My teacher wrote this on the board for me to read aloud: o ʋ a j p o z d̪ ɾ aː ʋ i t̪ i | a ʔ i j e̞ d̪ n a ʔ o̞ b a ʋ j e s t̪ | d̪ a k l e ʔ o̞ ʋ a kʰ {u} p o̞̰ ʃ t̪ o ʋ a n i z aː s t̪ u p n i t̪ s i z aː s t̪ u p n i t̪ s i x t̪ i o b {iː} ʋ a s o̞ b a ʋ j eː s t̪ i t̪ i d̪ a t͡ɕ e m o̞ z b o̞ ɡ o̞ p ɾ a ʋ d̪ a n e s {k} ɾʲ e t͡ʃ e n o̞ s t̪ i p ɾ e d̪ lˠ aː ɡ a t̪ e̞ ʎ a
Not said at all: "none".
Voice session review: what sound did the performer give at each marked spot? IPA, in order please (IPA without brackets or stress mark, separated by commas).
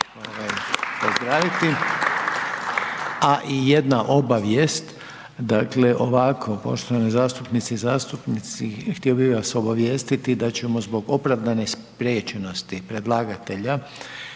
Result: o, i, p